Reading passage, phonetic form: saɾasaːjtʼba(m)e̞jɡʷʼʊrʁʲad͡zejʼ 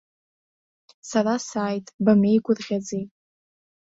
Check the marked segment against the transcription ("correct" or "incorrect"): correct